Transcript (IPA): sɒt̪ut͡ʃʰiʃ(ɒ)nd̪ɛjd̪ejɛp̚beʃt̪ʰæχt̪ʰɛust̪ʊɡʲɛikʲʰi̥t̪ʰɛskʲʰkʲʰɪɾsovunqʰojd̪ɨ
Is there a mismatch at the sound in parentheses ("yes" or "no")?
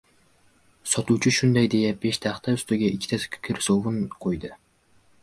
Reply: yes